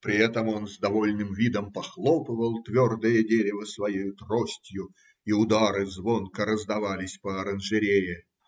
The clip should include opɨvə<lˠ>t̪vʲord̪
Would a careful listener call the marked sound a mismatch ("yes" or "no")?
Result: no